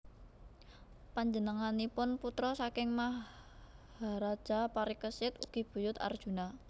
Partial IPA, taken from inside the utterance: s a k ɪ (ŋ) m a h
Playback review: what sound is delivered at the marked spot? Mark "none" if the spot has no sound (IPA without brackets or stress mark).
ŋ